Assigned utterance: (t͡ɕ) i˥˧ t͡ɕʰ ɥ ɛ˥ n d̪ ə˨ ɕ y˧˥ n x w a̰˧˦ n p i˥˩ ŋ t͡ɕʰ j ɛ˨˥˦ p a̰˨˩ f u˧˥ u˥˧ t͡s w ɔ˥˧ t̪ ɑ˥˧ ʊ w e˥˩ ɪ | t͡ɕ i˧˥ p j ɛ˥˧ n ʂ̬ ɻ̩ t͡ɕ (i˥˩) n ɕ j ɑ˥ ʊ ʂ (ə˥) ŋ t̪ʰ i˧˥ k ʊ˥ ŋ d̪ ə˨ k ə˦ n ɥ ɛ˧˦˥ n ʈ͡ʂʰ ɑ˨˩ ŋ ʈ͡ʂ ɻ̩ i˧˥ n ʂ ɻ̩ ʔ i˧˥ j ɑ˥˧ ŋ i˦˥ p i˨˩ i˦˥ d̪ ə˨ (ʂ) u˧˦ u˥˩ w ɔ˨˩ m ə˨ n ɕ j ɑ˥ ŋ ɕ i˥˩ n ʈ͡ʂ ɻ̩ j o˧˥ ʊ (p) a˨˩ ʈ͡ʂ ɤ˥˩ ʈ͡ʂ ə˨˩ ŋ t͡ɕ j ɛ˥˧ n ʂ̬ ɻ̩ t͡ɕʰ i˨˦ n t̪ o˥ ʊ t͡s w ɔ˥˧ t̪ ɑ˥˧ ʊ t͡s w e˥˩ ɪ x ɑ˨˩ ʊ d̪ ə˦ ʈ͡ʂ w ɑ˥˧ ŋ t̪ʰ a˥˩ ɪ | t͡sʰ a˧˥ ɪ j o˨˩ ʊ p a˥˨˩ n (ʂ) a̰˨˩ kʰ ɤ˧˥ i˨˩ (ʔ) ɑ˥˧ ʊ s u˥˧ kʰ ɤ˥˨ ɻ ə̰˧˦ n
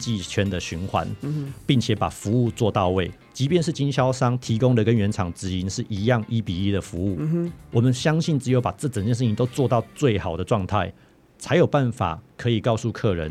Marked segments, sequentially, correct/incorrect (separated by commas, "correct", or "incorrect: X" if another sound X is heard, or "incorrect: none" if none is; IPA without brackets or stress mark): correct, incorrect: i˦˥, incorrect: ɑ˥, incorrect: f, correct, incorrect: f, incorrect: k